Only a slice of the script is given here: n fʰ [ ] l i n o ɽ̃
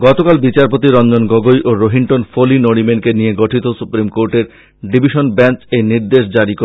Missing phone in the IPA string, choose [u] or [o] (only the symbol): o